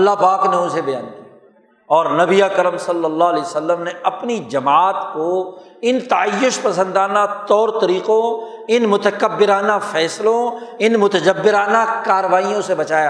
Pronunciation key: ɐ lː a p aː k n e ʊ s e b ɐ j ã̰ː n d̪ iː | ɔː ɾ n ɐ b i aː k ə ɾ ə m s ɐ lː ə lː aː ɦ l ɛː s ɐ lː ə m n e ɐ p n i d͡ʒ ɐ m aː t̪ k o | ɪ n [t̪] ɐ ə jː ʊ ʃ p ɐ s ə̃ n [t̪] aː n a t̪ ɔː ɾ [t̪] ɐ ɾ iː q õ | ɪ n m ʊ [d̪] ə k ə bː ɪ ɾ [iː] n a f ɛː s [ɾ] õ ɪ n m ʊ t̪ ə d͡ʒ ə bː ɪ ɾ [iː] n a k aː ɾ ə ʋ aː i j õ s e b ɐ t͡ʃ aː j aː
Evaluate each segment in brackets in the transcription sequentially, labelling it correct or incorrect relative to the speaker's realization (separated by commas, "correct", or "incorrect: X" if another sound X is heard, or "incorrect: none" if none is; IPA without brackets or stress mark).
correct, incorrect: d̪, correct, incorrect: t̪, incorrect: aː, incorrect: l, incorrect: aː